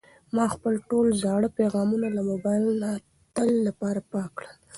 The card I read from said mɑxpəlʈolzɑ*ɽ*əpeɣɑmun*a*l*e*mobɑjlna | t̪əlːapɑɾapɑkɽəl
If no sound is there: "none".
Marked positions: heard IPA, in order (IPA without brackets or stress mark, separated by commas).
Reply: ɽ, a, a